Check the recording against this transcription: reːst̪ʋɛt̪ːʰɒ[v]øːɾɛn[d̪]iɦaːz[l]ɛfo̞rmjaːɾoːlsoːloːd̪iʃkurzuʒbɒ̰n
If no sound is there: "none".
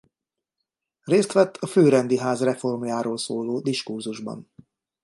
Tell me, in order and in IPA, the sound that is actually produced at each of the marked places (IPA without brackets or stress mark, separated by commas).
f, d̪, r